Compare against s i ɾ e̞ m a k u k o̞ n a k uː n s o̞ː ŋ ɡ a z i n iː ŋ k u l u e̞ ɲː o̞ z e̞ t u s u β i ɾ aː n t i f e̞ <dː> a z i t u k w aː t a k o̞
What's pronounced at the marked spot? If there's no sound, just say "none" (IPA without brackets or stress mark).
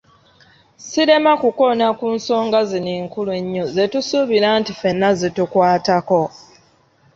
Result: nː